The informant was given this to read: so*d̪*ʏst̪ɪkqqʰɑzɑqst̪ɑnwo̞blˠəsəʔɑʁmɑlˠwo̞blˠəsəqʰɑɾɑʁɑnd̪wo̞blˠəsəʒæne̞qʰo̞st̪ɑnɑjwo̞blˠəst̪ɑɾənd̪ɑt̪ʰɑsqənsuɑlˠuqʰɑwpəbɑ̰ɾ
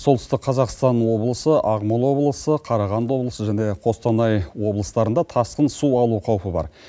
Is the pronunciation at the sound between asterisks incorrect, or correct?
incorrect